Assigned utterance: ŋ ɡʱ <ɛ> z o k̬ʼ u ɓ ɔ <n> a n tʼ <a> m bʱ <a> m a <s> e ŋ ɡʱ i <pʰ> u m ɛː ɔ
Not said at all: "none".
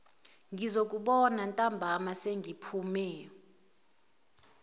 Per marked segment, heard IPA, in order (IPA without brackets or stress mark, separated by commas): i, n, a, a, s, pʰ